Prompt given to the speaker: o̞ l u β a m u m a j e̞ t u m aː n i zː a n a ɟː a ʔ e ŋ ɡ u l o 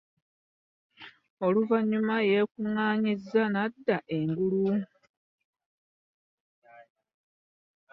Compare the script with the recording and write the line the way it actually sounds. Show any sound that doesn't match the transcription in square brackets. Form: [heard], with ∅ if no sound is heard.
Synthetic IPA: o̞ l u [v] a [ɲ] u m a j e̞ [k] u [ŋ] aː [ɲ] i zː a n a [dː] a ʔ e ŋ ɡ u l [u]